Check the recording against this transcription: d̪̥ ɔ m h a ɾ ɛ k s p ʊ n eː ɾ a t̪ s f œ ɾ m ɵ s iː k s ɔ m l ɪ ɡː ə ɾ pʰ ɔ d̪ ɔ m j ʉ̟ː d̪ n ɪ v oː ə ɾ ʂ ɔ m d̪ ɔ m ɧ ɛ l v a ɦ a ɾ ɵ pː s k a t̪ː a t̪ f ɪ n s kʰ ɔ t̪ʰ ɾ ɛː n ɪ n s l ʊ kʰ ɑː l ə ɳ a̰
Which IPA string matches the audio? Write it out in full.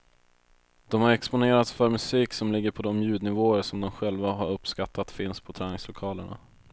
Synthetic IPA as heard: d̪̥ ɔ m h a ɾ ɛ k s p ʊ n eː ɾ a t̪ s f œ ɾ m ɵ s iː k s ɔ m l ɪ ɡː ə ɾ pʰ ɔ d̪ ɔ m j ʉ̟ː d̪ n ɪ v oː ə ɾ ʂ ɔ m d̪ ɔ m ɧ ɛ l v a ɦ a ɾ ɵ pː s k a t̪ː a t̪ f ɪ n s pʰ ɔ t̪ʰ ɾ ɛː n ɪ ŋ s l ʊ kʰ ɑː l ə ɳ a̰